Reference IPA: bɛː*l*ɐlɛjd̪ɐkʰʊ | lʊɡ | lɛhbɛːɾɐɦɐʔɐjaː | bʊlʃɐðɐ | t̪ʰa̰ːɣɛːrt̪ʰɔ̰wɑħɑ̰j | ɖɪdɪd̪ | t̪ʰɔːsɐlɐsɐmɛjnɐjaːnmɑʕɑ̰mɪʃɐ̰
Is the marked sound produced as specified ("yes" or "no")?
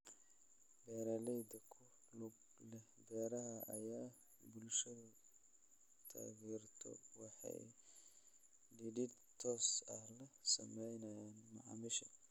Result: no